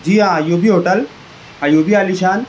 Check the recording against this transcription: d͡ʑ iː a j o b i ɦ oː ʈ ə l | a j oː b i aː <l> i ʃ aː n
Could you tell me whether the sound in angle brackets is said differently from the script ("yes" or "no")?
no